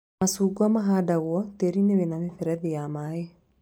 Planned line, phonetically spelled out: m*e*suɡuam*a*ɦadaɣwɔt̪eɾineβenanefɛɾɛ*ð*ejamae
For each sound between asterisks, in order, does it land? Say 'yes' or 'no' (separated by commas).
no, yes, yes